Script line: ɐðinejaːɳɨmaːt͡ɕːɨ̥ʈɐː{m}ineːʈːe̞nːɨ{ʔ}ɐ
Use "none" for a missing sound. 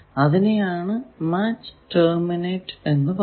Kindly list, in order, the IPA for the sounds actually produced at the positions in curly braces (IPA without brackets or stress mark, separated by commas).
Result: m, p